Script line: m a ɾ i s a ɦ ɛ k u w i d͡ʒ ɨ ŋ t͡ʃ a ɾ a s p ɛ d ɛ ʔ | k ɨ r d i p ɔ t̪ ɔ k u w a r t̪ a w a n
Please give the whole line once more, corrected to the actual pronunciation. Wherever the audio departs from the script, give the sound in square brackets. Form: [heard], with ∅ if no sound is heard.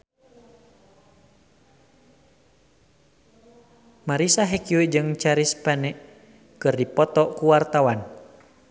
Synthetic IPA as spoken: m a ɾ i s a ɦ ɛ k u w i d͡ʒ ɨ ŋ t͡ʃ a ɾ [i] s p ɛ [n] ɛ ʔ | k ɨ r d i p ɔ t̪ ɔ k u w a r t̪ a w a n